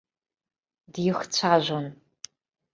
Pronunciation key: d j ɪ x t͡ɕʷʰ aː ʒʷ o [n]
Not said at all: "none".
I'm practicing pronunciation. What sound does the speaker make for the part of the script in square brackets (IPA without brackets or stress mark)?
n